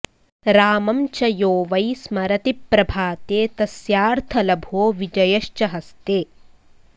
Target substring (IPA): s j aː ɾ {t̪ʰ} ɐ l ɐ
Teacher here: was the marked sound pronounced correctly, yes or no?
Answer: yes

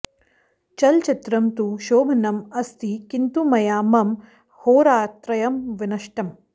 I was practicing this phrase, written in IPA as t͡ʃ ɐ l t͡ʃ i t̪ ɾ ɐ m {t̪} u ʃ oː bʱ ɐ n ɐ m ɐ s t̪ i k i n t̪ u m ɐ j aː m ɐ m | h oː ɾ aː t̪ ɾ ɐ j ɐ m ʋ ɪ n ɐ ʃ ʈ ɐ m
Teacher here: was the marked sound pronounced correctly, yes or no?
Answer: yes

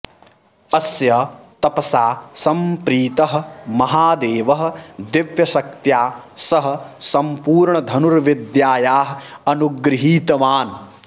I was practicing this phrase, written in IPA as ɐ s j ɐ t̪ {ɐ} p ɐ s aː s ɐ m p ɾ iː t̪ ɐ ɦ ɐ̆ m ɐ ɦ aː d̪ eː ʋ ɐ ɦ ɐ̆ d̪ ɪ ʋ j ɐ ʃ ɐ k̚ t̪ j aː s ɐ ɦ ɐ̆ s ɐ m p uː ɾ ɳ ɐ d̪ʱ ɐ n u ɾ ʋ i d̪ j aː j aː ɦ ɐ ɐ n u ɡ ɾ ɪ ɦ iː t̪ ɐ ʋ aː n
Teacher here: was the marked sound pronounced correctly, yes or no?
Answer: yes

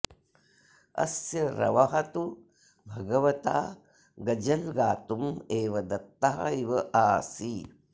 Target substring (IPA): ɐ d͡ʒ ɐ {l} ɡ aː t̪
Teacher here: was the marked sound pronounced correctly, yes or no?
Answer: yes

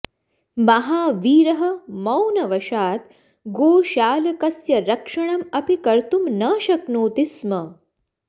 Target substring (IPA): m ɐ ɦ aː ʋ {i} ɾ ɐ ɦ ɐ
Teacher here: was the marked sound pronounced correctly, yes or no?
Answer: no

